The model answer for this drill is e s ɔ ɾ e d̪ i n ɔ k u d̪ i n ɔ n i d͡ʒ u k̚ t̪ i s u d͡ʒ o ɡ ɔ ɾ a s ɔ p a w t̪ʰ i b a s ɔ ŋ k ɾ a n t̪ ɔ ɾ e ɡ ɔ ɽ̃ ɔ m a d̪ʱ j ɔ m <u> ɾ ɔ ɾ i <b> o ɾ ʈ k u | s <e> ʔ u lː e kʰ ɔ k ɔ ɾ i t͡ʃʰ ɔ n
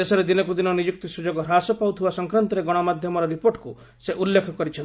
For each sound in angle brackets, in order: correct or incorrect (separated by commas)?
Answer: incorrect, incorrect, correct